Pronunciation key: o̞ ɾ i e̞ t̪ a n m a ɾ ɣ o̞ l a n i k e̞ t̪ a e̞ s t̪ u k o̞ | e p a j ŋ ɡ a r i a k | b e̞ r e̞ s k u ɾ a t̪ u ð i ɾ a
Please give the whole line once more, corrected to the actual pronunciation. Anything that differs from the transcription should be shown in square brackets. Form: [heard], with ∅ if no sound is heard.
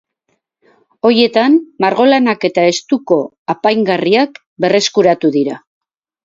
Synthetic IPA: o̞ ɾ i e̞ t̪ a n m a ɾ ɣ o̞ l a n [a] k e̞ t̪ a e̞ s t̪ u k o̞ | [a] p a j ŋ ɡ a r i a k | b e̞ r e̞ s k u ɾ a t̪ u ð i ɾ a

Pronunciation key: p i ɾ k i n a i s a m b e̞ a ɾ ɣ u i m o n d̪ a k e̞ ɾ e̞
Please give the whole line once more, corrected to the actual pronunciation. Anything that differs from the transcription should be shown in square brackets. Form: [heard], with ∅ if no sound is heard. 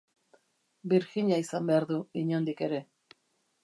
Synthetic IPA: [b] i ɾ [x] i [ɲ] a i s a m b e̞ a ɾ [ð] u i [ɲ] o n d̪ [i] k e̞ ɾ e̞

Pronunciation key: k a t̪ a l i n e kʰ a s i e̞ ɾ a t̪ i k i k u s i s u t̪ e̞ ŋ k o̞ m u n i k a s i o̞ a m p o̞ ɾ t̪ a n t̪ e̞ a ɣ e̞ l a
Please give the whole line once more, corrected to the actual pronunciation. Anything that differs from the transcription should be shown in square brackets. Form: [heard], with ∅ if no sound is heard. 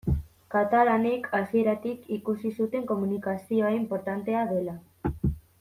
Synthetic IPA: k a t̪ a l [a] n e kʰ a s i e̞ ɾ a t̪ i k i k u s i s u t̪ e̞ ŋ k o̞ m u n i k a s i o̞ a m p o̞ ɾ t̪ a n t̪ e̞ a [ð] e̞ l a

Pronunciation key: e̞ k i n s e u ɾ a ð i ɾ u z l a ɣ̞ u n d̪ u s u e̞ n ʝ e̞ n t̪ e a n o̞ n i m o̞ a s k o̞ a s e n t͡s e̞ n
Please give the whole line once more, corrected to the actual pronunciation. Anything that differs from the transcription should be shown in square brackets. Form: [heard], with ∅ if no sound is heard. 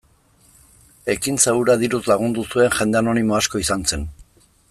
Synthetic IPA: e̞ k i n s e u ɾ a ð i ɾ u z l a ɣ̞ u n d̪ u s u e̞ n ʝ e̞ n [d̪] e a n o̞ n i m o̞ a s k o̞ [i] s [a] n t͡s e̞ n

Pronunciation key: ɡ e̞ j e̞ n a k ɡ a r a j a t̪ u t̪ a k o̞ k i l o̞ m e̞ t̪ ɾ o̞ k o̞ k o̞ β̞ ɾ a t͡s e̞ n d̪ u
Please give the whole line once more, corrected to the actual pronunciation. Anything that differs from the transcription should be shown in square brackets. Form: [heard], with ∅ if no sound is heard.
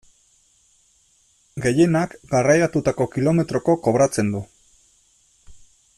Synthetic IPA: ɡ e̞ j e̞ n a k ɡ a r a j a t̪ u t̪ a k o̞ k i l o̞ m e̞ t̪ ɾ o̞ k o̞ k o̞ β̞ ɾ a t͡s e̞ n d̪ u

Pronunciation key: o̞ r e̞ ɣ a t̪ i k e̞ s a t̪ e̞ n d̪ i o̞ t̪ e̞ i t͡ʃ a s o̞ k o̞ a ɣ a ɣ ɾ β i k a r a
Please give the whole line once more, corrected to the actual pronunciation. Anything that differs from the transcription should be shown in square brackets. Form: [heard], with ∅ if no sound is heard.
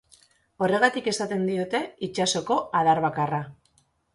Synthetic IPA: o̞ r e̞ ɣ a t̪ i k e̞ s a t̪ e̞ n d̪ i o̞ t̪ e̞ i t͡ʃ a s o̞ k o̞ a [ð] a [∅] ɾ β [a] k a r a

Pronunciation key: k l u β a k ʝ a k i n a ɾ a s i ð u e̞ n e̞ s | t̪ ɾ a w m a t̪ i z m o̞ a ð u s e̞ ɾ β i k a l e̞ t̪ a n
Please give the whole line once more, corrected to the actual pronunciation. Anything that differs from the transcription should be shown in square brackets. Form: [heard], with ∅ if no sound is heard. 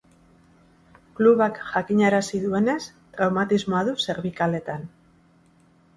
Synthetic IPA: k l u β a k ʝ a k i [ɲ] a ɾ a s i ð u e̞ n e̞ s | t̪ ɾ a w m a t̪ i z m o̞ a ð u s e̞ ɾ β i k a l e̞ t̪ a n

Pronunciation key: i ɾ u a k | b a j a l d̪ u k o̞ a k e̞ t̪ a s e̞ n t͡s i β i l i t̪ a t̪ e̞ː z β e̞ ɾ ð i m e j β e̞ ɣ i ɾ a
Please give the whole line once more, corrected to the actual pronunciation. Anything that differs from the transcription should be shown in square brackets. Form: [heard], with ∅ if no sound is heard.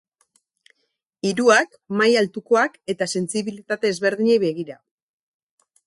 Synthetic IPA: i ɾ u a k | [m] a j a l [t̪] u k o̞ a k e̞ t̪ a s e̞ n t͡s i β i l i t̪ a t̪ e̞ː z β e̞ ɾ ð i [ɲ] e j β e̞ ɣ i ɾ a

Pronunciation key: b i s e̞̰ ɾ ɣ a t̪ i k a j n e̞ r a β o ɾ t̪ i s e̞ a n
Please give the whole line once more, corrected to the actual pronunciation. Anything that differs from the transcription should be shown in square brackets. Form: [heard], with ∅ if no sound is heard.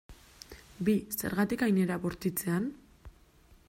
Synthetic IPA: b i s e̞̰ ɾ ɣ a t̪ i k a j n e̞ [ɾ] a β o ɾ t̪ i [t͡s] e̞ a n

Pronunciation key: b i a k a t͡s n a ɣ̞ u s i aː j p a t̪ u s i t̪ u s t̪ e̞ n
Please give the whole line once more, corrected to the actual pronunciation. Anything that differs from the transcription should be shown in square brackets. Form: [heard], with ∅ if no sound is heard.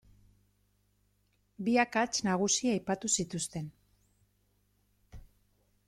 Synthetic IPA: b i a k a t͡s n a ɣ̞ u s i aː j p a t̪ u s i t̪ u s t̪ e̞ n

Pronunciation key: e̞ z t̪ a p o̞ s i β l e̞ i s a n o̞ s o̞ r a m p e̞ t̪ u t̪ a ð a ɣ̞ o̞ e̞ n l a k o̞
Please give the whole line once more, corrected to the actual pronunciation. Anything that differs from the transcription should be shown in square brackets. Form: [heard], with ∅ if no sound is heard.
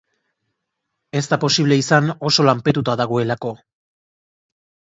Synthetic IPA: e̞ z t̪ a p o̞ s i β l e̞ i s a n o̞ s o̞ [l] a m p e̞ t̪ u t̪ a ð a ɣ̞ o̞ e̞ [∅] l a k o̞

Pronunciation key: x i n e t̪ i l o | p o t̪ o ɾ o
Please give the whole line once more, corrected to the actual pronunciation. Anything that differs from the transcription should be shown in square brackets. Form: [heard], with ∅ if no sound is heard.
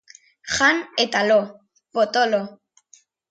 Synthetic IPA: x [a] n e t̪ [a] l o | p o t̪ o [l] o

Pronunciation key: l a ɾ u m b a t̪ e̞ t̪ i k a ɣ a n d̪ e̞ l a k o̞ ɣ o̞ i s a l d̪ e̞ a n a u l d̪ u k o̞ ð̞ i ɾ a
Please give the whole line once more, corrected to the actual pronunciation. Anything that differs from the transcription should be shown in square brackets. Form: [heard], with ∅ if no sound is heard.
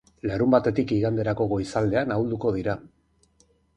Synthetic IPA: l a ɾ u m b a t̪ e̞ t̪ i k [i] ɣ a n d̪ e̞ [ɾ] a k o̞ ɣ o̞ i s a l d̪ e̞ a n a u l d̪ u k o̞ ð̞ i ɾ a

